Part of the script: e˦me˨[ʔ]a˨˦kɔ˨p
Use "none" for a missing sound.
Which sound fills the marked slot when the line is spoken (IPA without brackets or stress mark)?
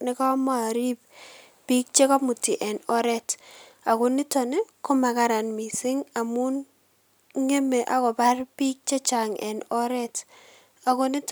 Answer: ʔ